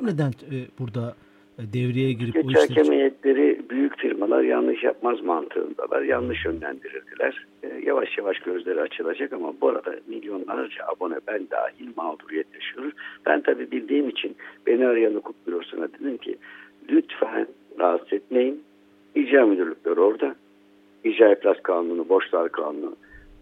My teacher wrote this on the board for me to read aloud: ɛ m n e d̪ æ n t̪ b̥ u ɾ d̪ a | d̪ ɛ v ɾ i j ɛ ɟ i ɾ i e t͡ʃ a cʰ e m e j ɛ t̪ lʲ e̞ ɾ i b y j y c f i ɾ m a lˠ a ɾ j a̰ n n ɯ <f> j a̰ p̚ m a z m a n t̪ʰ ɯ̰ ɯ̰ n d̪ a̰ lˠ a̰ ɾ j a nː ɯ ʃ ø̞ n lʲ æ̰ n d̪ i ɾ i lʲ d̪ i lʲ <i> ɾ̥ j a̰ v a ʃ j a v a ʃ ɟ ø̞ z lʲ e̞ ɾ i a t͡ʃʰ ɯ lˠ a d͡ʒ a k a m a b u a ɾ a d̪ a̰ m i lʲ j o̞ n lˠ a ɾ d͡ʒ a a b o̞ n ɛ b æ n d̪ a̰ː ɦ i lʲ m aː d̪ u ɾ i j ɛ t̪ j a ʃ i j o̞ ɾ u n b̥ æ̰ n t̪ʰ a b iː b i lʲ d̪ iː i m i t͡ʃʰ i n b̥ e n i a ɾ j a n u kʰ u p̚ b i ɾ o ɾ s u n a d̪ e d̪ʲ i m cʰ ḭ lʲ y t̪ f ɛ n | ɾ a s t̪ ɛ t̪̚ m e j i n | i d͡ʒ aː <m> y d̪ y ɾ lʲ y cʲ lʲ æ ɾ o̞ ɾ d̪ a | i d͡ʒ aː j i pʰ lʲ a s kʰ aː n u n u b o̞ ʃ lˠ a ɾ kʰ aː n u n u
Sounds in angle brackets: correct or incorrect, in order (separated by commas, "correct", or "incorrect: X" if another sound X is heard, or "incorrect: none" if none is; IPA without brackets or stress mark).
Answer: incorrect: ʃ, incorrect: æ, correct